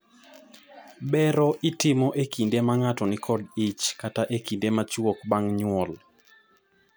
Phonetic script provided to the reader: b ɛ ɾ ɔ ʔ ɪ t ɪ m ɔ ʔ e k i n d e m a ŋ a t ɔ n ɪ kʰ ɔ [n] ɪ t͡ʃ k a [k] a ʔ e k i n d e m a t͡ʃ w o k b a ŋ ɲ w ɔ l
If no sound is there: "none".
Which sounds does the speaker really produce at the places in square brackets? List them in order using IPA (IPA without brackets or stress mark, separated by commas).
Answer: d, t